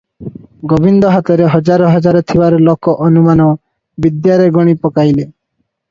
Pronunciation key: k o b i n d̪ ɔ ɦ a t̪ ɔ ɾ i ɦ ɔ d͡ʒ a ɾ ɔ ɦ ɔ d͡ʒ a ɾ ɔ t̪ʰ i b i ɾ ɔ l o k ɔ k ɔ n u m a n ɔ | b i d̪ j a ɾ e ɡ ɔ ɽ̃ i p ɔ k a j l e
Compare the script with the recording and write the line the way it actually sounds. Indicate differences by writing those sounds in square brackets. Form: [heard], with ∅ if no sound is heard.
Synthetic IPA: [ɡ] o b i n d̪ ɔ ɦ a t̪ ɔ ɾ [e] ɦ ɔ d͡ʒ a ɾ ɔ ɦ ɔ d͡ʒ a ɾ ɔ t̪ʰ i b [a] ɾ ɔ l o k ɔ [ʔ] ɔ n u m a n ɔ | b i d̪ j a ɾ e ɡ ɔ ɽ̃ i p ɔ k a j l e